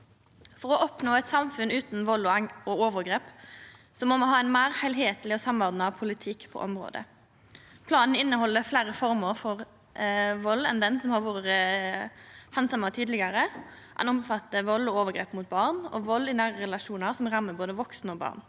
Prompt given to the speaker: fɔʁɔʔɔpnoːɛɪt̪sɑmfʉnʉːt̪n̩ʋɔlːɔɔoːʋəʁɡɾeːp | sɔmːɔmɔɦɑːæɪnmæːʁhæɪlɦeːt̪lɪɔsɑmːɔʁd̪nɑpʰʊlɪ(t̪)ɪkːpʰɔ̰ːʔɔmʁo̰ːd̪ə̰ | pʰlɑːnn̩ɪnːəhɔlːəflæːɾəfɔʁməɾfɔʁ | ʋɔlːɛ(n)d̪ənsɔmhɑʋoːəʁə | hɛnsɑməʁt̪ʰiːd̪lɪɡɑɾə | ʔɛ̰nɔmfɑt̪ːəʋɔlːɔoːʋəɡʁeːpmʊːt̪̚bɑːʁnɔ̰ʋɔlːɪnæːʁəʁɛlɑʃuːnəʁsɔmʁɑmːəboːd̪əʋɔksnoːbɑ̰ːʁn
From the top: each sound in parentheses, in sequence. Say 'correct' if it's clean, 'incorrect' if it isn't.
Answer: incorrect: t̪ʰ, correct

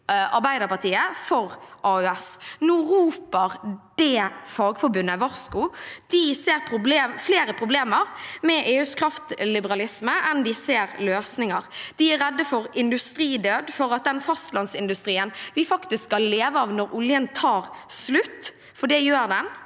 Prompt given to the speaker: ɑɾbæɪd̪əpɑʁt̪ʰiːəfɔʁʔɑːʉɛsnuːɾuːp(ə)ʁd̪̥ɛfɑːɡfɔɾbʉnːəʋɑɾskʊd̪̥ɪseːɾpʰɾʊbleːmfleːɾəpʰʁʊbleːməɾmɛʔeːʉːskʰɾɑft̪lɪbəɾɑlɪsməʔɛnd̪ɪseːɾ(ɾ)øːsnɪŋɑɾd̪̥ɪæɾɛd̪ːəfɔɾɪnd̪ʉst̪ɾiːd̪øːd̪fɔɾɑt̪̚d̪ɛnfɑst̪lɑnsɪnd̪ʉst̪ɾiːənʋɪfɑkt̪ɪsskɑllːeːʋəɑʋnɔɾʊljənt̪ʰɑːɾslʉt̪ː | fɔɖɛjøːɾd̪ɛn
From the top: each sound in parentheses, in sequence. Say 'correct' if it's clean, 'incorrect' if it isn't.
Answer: correct, incorrect: l

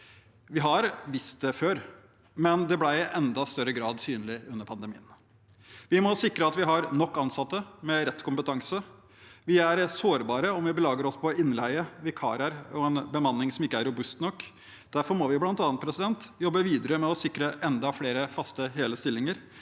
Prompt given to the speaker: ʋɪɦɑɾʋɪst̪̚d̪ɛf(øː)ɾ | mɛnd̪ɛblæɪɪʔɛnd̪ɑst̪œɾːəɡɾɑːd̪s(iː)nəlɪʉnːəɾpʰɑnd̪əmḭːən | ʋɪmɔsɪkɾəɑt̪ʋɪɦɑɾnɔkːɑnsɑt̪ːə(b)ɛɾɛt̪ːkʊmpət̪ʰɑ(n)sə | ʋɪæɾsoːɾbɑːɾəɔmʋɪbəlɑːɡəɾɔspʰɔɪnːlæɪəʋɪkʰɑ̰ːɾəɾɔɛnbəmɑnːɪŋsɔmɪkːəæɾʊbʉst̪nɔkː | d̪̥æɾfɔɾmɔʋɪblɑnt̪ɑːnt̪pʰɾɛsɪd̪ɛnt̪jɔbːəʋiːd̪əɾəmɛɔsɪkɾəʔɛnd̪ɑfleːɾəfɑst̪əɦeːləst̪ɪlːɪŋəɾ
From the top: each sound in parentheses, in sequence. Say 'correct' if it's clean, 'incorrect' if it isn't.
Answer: correct, incorrect: yː, incorrect: m, incorrect: ŋ

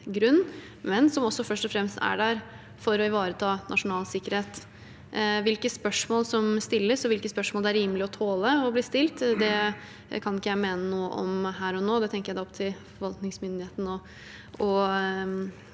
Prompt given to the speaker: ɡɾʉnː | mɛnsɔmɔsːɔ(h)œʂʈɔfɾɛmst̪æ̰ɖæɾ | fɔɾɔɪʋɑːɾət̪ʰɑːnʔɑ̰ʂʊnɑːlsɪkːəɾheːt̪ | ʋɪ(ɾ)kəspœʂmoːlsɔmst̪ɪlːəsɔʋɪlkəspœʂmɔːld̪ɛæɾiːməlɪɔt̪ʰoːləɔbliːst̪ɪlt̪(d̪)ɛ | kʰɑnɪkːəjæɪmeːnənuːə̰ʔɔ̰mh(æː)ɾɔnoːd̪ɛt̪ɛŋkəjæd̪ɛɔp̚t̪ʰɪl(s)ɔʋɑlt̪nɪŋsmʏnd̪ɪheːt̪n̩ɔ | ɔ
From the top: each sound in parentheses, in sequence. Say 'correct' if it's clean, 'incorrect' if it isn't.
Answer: incorrect: f, incorrect: l, correct, correct, incorrect: f

